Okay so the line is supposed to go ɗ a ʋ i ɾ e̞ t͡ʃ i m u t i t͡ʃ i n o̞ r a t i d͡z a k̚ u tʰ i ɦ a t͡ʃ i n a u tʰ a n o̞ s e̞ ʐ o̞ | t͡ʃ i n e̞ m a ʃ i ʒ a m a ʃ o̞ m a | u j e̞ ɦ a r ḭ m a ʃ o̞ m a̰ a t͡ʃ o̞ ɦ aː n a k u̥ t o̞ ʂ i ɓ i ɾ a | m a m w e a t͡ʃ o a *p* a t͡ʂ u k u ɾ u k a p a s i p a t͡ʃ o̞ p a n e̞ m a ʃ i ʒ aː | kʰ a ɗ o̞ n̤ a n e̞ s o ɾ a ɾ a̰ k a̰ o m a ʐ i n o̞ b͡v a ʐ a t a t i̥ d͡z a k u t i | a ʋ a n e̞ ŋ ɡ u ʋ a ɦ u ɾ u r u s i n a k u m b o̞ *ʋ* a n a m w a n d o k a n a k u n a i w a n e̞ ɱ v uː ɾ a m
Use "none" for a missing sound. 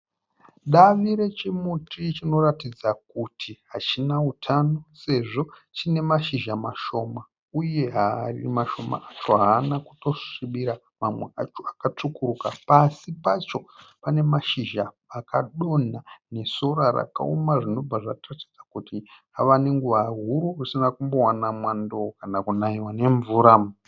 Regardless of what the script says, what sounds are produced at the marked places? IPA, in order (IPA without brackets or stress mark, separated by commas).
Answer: k, w